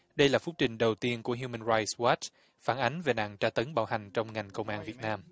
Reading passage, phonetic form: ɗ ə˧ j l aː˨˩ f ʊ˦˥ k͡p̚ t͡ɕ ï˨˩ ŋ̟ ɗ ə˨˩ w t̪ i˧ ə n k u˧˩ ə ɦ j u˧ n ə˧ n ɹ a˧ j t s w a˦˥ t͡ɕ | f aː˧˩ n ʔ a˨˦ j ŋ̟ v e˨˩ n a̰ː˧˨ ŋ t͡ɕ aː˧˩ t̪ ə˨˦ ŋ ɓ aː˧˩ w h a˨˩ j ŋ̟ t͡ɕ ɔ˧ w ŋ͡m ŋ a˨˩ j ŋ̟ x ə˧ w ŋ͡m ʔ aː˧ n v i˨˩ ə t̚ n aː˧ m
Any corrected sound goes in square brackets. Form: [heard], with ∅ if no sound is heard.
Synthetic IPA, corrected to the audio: ɗ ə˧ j l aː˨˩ f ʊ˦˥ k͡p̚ t͡ɕ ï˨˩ ŋ̟ ɗ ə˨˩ w t̪ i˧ ə n k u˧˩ ə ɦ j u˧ [m] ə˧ n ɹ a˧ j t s w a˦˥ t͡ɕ | f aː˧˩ n ʔ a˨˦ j ŋ̟ v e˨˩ n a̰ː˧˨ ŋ t͡ɕ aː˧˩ t̪ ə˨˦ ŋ ɓ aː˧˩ w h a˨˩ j ŋ̟ t͡ɕ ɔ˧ w ŋ͡m ŋ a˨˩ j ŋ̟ [k] ə˧ w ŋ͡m ʔ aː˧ n v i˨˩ ə t̚ n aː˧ m